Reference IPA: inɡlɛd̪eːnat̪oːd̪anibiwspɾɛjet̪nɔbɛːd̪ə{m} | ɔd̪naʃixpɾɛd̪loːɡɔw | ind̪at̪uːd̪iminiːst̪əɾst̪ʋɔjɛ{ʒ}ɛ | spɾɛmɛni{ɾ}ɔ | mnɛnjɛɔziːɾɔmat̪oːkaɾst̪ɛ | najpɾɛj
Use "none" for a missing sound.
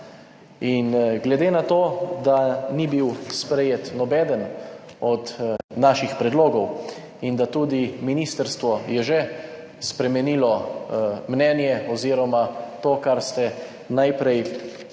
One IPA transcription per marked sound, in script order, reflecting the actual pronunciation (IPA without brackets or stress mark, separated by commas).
n, ʒ, l